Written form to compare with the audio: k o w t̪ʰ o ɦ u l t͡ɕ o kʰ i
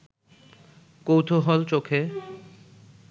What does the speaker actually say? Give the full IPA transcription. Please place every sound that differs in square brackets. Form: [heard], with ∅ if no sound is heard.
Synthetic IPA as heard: k o w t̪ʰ o ɦ [ɔ] l t͡ɕ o kʰ [e]

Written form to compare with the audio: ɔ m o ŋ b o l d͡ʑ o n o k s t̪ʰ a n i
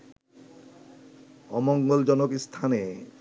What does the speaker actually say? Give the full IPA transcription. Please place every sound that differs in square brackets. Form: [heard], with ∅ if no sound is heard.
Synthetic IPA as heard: ɔ m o ŋ [ɡ] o l d͡ʑ [ɔ] n o k s t̪ʰ a n [e]

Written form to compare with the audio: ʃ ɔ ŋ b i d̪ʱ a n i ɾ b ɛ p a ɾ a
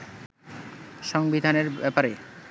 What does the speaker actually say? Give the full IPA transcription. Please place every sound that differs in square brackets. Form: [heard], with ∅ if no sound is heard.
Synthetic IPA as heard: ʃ ɔ ŋ b i d̪ʱ a n [e] ɾ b ɛ p a ɾ [e]

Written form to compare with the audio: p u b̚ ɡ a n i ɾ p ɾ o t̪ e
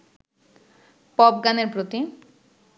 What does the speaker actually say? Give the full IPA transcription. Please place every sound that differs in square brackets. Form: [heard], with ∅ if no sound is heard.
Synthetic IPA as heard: p [ɔ] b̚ ɡ a n [e] ɾ p ɾ o t̪ [i]

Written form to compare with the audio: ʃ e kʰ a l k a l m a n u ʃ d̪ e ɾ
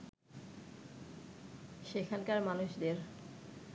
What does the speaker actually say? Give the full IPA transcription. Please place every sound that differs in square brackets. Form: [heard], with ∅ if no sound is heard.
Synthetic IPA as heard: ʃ e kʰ a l k a [ɾ] m a n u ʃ d̪ e ɾ

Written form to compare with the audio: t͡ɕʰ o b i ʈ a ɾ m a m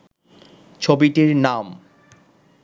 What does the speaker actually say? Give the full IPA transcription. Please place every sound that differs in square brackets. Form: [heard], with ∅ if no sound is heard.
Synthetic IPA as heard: t͡ɕʰ o b i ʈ [i] ɾ [n] a m

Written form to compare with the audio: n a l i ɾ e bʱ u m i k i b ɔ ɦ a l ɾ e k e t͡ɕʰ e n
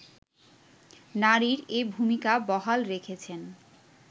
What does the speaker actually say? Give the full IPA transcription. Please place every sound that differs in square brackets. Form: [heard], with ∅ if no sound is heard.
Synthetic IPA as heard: n a [ɾ] i ɾ e bʱ u m i k [a] b ɔ ɦ a l ɾ e [kʰ] e t͡ɕʰ e n

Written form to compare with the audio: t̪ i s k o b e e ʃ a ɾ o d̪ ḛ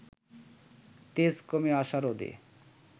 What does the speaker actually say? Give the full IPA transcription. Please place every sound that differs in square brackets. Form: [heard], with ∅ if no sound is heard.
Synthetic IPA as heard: t̪ [e] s k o [m] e [a] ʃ a ɾ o d̪ ḛ

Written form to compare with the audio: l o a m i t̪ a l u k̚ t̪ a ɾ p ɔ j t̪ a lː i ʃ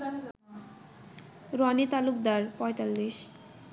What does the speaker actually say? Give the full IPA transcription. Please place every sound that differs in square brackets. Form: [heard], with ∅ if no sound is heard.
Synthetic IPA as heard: [ɾ] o a [n] i t̪ a l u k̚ [d̪] a ɾ p ɔ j t̪ a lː i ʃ

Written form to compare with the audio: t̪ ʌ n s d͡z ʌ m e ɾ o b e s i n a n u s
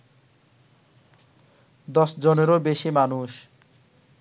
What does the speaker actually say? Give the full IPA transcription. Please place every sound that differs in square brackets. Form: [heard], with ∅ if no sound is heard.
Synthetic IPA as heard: [d̪] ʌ [∅] s d͡z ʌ [n] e ɾ o b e s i [m] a n u s

